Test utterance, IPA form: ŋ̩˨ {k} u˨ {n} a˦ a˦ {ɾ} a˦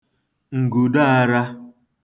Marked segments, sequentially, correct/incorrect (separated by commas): incorrect, incorrect, correct